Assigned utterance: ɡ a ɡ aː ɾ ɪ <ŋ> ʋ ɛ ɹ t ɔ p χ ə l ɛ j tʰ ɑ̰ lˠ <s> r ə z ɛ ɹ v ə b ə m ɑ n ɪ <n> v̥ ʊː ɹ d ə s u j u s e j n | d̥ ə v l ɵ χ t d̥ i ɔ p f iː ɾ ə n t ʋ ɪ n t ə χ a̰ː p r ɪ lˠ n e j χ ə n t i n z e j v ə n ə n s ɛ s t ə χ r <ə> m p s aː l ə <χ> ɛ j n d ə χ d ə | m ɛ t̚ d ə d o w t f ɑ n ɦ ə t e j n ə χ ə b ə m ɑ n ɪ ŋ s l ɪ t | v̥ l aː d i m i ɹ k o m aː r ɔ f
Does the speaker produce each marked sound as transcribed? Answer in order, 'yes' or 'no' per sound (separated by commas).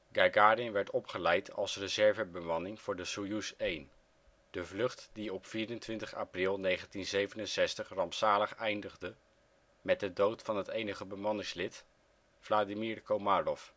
no, yes, no, no, yes